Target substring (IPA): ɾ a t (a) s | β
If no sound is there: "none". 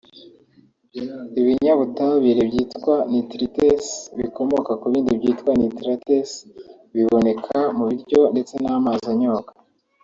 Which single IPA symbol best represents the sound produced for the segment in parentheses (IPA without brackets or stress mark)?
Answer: e